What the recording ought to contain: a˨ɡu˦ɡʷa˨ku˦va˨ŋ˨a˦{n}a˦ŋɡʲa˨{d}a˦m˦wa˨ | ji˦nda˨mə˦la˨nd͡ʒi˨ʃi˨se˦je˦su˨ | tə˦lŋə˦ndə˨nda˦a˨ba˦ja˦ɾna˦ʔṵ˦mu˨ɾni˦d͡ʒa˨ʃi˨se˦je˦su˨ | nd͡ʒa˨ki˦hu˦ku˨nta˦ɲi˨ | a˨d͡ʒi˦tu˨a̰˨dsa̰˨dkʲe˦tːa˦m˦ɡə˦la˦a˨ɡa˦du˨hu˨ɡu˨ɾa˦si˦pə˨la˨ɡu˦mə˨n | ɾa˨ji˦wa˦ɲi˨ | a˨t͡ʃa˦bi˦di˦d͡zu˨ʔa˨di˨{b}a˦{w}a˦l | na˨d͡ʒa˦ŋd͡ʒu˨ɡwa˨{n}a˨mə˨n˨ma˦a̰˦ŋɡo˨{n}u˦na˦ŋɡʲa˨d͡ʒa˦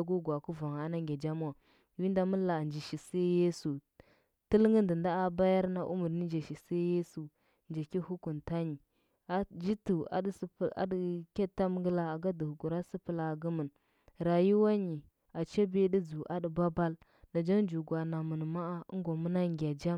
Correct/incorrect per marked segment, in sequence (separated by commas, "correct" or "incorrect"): correct, incorrect, correct, incorrect, correct, incorrect